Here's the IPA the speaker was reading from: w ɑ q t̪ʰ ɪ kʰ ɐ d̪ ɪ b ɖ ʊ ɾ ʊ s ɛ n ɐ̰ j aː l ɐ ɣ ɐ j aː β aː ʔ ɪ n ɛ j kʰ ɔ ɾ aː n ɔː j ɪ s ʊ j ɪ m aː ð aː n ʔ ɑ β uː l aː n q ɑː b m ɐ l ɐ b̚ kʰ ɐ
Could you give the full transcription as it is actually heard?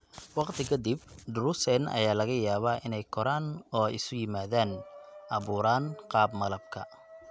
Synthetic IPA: w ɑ q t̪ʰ ɪ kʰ ɐ d̪ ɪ b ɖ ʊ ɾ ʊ s ɛ n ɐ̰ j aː l ɐ ɣ ɐ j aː β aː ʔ ɪ n ɛ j kʰ ɔ ɾ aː n ɔː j ɪ s ʊ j ɪ m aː ð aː n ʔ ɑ β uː ɾ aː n q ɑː b m ɐ l ɐ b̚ kʰ ɐ

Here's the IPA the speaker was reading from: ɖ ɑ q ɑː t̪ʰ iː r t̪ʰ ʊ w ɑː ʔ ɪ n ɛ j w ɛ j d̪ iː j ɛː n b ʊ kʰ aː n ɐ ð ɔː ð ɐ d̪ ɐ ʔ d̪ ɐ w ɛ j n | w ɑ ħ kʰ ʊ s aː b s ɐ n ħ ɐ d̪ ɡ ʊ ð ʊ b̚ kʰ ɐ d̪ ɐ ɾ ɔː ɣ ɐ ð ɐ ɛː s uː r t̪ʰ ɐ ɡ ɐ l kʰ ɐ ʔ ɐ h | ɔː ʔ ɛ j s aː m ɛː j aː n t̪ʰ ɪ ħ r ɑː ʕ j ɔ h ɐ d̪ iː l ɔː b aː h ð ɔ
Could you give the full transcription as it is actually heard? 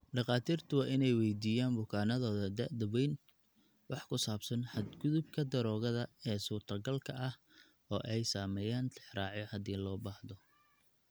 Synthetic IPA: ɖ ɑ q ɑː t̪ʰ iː r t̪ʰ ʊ w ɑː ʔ ɪ n ɛ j w ɛ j d̪ iː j aː n b ʊ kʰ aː n ɐ ð ɔː ð ɐ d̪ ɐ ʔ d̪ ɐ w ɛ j n | w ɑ ħ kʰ ʊ s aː b s ɐ n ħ ɐ d̪ ɡ ʊ ð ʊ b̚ kʰ ɐ d̪ ɐ ɾ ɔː ɣ ɐ ð ɐ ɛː s uː r t̪ʰ ɐ ɡ ɐ l kʰ ɐ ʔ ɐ h | ɔː ʔ ɛ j s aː m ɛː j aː n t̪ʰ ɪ ħ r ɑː ʕ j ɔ h ɐ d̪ iː l ɔː b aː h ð ɔ

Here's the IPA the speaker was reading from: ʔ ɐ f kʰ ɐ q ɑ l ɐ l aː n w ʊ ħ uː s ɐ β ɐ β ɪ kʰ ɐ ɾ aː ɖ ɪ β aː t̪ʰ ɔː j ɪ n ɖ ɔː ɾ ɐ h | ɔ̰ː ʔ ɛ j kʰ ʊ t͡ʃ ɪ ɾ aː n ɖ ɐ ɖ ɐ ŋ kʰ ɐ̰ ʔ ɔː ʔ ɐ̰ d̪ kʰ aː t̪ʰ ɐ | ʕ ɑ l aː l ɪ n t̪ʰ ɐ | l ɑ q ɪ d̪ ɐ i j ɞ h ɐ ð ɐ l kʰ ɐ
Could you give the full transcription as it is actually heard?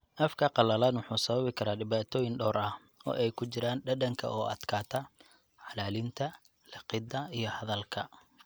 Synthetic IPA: ʔ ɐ f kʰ ɐ q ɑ l ɐ l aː n w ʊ ħ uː s ɐ β ɐ β ɪ kʰ ɐ ɾ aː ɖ ɪ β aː t̪ʰ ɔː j ɪ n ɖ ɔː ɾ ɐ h | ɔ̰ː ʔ ɛ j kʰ ʊ t͡ʃ ɪ ɾ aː n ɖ ɐ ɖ ɐ ŋ kʰ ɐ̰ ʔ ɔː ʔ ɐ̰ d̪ kʰ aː t̪ʰ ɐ | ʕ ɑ l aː l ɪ n t̪ʰ ɐ | l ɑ q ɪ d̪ ɐ i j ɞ h ɐ ð ɐ l kʰ ɐ

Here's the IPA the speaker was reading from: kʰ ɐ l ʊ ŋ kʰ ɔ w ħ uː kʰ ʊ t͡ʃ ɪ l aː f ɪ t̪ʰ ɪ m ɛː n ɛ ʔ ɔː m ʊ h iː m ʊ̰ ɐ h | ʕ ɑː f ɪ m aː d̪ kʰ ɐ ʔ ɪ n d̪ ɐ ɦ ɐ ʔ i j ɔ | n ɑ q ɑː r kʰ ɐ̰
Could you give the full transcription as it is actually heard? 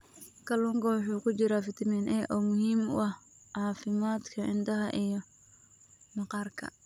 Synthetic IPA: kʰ ɐ l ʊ ŋ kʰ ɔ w ħ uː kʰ ʊ t͡ʃ ɪ ɾ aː f ɪ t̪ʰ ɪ m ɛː n ɛ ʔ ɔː m ʊ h iː m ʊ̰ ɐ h | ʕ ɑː f ɪ m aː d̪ kʰ ɐ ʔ ɪ n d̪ ɐ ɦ ɐ ʔ i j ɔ | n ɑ q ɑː r kʰ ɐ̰

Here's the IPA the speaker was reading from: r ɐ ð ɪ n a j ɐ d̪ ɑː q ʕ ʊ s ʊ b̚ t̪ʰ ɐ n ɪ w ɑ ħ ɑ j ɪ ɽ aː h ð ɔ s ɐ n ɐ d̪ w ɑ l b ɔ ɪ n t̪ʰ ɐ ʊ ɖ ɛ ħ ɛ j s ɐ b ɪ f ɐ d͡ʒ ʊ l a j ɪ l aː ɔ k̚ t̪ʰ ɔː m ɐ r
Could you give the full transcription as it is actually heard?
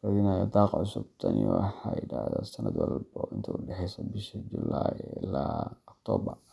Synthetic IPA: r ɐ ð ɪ n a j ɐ d̪ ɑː q ʕ ʊ s ʊ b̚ t̪ʰ ɐ n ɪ w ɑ ħ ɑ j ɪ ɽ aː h ð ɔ s ɐ n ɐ d̪ w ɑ l b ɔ ɪ n t̪ʰ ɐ ʊ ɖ ɛ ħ ɛ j s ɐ b ɪ ʃ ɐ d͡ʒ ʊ l a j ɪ l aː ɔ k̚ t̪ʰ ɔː b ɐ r

